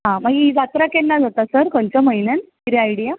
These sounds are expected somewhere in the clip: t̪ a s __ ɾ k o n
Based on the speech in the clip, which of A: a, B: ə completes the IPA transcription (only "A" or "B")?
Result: B